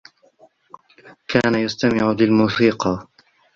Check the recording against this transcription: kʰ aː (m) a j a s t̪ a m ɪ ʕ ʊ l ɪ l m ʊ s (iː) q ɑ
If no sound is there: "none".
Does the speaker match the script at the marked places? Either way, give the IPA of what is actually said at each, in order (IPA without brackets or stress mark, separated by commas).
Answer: n, iː